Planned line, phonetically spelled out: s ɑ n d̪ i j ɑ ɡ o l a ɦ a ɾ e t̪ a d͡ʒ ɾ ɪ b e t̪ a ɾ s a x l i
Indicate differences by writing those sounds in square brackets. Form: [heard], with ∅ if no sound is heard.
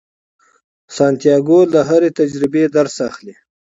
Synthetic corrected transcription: s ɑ n [t̪] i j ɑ ɡ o l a ɦ a ɾ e t̪ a d͡ʒ ɾ ɪ b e [d̪] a ɾ s a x l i